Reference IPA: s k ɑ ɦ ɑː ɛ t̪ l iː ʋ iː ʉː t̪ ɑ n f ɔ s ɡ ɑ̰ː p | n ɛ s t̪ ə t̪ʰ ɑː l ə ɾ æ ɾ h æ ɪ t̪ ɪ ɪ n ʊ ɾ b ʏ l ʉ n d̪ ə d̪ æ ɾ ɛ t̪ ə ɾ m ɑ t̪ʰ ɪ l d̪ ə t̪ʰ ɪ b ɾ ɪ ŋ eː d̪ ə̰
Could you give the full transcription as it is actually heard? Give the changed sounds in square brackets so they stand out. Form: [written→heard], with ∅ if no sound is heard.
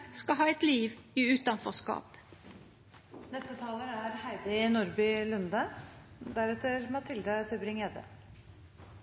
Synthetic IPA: s k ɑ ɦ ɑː ɛ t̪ l iː ʋ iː ʉː t̪ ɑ n f ɔ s [ɡ→k] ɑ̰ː p | n ɛ s t̪ ə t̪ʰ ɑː l ə ɾ æ ɾ h æ ɪ [t̪→d̪] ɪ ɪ n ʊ ɾ b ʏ l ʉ n d̪ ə d̪ æ ɾ ɛ t̪ ə ɾ m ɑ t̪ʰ ɪ l d̪ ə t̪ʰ ɪ b ɾ ɪ ŋ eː d̪ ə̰